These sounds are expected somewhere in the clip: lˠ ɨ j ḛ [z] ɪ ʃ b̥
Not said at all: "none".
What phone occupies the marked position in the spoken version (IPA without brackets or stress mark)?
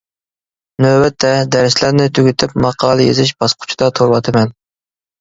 z